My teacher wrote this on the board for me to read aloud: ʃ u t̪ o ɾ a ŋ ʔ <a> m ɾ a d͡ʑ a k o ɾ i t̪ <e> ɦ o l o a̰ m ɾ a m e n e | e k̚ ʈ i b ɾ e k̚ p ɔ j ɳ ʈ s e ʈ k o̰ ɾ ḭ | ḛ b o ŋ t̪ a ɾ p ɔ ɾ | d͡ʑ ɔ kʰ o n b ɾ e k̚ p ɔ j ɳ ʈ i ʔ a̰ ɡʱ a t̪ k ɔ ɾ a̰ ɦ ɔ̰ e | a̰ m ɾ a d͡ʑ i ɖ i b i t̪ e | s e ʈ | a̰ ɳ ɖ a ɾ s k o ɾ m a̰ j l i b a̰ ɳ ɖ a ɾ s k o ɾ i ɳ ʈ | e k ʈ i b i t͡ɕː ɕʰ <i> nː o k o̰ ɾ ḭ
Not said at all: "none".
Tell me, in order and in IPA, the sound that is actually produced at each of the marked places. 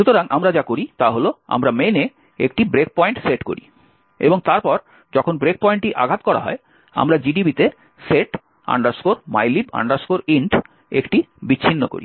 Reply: a, a, i

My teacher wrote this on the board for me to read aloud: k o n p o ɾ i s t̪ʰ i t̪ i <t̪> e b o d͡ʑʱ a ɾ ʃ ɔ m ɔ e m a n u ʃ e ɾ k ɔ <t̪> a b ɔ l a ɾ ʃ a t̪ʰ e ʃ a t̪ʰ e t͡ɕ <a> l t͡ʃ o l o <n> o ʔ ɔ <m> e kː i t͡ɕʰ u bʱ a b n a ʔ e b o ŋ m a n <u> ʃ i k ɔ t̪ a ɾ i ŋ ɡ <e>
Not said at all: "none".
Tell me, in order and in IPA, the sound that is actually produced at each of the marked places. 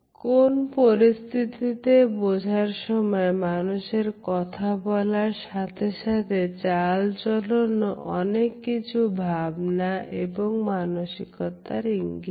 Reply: t̪, t̪ʰ, a, n, n, o, i

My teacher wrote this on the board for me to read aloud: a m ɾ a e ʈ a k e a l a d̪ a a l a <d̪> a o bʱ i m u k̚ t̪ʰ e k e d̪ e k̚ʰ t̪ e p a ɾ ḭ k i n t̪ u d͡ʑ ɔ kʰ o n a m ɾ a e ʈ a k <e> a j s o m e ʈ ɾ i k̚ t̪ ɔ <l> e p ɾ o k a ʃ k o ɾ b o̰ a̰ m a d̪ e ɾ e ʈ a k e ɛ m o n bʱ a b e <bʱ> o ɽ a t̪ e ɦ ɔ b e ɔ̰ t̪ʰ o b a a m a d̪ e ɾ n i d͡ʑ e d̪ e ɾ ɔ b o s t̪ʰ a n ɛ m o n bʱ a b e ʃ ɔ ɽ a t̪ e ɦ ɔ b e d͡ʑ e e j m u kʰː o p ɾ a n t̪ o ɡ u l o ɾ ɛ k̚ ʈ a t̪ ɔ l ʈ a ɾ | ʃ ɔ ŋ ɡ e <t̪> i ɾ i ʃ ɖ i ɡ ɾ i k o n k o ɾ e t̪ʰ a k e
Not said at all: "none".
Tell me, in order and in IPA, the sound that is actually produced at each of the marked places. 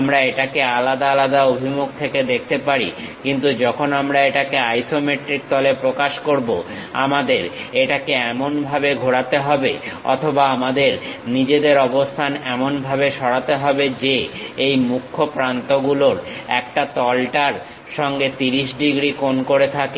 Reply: d̪, e, l, ɡʱ, t̪

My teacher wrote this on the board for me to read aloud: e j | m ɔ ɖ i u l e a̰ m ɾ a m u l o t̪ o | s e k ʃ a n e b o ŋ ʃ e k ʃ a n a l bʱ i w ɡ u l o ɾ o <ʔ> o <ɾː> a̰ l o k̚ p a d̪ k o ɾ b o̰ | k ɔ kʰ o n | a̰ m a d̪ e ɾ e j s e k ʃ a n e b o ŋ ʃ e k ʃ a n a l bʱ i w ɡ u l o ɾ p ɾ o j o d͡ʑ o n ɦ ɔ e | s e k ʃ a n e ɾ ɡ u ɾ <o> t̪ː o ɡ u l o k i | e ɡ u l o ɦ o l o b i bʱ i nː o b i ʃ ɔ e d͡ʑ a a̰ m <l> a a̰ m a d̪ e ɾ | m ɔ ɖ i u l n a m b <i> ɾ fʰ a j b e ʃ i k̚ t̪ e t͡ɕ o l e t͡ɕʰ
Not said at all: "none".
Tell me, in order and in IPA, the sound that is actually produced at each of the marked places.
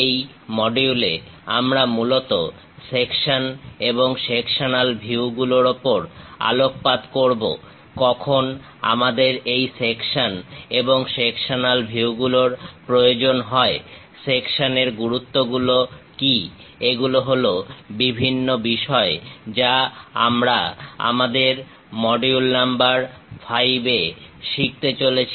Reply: p, ɾ, u, ɾ, a

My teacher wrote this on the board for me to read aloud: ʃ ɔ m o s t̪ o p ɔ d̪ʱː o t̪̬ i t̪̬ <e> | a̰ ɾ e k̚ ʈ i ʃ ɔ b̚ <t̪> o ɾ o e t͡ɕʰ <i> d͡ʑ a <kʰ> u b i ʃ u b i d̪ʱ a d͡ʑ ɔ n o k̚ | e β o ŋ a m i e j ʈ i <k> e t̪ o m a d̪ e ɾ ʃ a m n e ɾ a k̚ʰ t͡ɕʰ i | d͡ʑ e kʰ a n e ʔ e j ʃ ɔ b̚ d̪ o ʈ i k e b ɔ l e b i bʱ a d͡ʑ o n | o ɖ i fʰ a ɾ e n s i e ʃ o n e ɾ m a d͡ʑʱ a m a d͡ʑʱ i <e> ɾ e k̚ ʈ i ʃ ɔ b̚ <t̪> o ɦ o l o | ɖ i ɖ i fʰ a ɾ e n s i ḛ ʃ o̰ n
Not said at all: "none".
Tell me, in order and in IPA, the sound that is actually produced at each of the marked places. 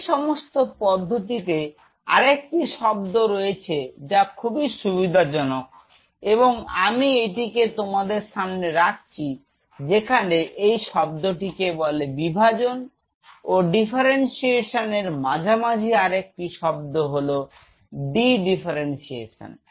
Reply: e, d̪, e, kʰ, k, a, d̪

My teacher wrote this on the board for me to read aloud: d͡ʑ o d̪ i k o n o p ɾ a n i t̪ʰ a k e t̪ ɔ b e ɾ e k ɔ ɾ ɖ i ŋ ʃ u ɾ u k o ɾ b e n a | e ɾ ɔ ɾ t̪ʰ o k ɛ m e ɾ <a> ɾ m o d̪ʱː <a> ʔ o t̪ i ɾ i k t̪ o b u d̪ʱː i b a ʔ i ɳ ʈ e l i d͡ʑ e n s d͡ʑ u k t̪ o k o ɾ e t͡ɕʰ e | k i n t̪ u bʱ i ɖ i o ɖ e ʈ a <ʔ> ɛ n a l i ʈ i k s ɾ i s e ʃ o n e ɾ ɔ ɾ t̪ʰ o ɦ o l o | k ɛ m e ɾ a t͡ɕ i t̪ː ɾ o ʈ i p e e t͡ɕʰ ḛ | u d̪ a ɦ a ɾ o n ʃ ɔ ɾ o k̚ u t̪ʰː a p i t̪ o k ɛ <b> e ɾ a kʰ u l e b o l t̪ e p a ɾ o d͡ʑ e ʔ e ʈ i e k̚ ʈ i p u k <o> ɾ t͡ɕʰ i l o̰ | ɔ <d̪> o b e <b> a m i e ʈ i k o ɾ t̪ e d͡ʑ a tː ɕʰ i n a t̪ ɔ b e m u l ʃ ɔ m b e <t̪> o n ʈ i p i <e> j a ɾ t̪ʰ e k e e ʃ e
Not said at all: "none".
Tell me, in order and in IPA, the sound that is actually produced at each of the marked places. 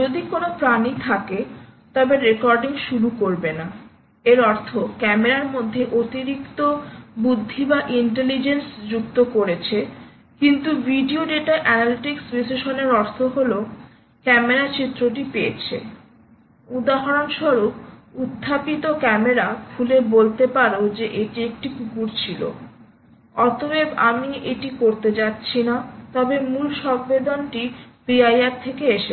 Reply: a, e, ʔ, m, u, t̪, b, d̪, a

